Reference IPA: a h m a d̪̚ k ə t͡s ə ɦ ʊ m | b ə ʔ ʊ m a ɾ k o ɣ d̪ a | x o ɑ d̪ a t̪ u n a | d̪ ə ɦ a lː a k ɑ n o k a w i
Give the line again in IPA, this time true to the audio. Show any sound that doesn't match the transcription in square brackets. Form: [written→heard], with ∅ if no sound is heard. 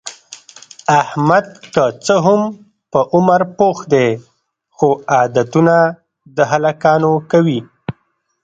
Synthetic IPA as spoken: a h m a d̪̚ k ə t͡s ə ɦ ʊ m | [b→p] ə ʔ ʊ m a ɾ [k→p] o [ɣ→x] d̪ [a→e] | x o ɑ d̪ a t̪ u n a | d̪ ə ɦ a [lː→l] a k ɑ n o k a w i